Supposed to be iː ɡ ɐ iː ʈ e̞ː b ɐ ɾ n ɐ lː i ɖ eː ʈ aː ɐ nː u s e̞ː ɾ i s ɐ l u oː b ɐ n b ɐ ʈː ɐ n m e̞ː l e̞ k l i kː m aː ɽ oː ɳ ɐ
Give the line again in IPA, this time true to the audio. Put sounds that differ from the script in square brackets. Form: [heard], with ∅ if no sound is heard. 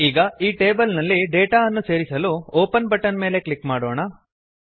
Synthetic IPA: iː ɡ ɐ iː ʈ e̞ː b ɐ [l] n ɐ lː i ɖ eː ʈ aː ɐ nː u s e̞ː ɾ i s ɐ l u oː [p] ɐ n b ɐ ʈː ɐ n m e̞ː l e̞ k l i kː m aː ɽ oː ɳ ɐ

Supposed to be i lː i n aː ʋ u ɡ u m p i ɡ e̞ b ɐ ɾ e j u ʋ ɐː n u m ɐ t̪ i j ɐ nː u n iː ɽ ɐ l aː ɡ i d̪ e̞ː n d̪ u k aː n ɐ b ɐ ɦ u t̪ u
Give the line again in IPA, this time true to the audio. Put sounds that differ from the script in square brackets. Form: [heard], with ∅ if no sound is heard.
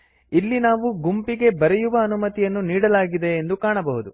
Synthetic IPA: i lː i n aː ʋ u ɡ u m p i ɡ e̞ b ɐ ɾ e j u ʋ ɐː n u m ɐ t̪ i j ɐ nː u n iː ɽ ɐ l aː ɡ i d̪ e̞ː n d̪ u k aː [ɳ] ɐ b ɐ ɦ u [d̪] u

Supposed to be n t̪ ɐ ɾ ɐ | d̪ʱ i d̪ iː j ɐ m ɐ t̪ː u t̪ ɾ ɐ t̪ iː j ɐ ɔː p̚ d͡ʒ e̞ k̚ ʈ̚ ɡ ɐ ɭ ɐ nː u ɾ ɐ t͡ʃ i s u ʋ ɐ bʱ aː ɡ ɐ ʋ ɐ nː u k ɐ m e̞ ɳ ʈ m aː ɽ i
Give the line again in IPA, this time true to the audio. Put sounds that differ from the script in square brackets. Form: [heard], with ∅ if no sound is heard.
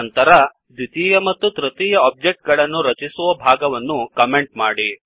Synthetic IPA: n t̪ ɐ ɾ ɐ | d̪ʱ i [t̪] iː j ɐ m ɐ t̪ː u t̪ ɾ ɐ t̪ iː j ɐ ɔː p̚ d͡ʒ e̞ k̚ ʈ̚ ɡ ɐ ɭ ɐ nː u ɾ ɐ t͡ʃ i s u ʋ ɐ bʱ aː ɡ ɐ ʋ ɐ nː u k ɐ m e̞ ɳ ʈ m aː ɽ i

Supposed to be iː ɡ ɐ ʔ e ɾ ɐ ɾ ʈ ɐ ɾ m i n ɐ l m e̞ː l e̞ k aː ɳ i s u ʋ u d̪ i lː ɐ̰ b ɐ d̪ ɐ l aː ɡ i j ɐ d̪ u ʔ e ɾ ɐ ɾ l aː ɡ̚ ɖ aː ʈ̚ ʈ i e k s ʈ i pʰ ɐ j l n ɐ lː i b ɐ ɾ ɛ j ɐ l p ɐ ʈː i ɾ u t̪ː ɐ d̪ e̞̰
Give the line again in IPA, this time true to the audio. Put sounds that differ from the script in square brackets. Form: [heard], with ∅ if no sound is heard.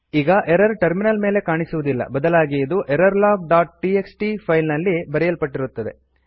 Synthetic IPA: iː ɡ ɐ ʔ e ɾ ɐ ɾ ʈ ɐ ɾ m i n ɐ l m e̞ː l e̞ k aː ɳ i s u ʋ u d̪ i lː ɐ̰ b ɐ d̪ ɐ l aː ɡ i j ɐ d̪ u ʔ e ɾ ɐ ɾ l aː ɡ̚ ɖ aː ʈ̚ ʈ i e k s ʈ i pʰ ɐ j l n ɐ lː i b ɐ ɾ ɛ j ɐ l p ɐ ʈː i ɾ u t̪ː ɐ d̪ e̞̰

